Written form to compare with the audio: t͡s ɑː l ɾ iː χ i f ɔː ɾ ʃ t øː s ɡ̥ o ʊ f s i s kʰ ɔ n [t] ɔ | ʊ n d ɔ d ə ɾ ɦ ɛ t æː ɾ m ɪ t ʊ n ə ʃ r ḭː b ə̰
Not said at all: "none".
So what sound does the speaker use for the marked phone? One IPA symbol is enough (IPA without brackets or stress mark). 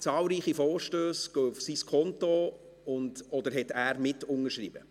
t